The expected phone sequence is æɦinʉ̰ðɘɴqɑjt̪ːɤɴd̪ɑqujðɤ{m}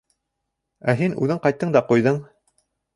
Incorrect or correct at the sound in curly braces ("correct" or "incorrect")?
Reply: incorrect